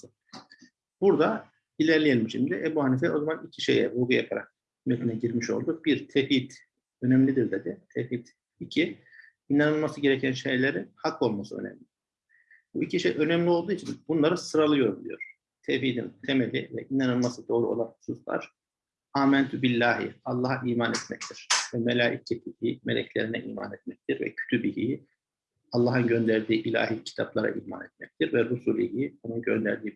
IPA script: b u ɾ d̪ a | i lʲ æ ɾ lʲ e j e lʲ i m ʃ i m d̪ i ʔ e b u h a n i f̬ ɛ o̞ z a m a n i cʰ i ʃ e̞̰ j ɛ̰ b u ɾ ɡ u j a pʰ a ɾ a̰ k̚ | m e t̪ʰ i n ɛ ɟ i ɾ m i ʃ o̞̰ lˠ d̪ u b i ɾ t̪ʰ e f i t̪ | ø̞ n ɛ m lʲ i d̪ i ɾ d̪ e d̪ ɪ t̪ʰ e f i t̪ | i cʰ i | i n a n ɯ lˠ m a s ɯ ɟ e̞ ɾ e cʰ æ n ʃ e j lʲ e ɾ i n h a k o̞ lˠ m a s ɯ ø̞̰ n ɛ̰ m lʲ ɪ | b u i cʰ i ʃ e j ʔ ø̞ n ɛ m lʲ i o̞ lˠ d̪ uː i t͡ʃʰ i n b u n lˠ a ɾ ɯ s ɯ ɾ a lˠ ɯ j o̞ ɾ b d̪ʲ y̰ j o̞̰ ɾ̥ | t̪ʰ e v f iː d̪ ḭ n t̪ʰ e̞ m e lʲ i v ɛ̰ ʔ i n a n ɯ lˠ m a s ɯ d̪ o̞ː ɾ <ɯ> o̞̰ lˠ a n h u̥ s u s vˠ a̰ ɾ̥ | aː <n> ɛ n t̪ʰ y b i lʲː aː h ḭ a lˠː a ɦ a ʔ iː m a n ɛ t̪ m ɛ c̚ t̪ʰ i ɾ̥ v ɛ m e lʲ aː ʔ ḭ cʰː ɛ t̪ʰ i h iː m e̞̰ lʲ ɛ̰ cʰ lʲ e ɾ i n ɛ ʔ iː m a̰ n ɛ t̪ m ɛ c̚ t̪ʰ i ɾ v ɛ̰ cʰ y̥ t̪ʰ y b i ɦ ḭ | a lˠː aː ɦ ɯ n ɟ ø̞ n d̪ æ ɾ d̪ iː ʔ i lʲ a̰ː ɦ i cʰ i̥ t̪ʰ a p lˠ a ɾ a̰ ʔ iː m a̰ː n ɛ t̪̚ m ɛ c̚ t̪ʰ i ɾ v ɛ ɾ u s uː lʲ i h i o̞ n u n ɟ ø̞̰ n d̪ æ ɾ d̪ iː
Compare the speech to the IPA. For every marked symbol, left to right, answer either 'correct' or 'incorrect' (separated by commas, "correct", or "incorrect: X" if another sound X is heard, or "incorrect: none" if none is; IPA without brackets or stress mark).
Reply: incorrect: u, incorrect: m